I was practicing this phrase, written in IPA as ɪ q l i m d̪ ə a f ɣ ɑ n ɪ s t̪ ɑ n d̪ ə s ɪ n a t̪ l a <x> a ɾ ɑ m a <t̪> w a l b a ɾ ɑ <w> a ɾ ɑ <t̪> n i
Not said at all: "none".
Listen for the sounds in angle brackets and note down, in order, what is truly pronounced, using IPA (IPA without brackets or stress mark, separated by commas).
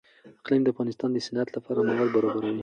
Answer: f, none, b, none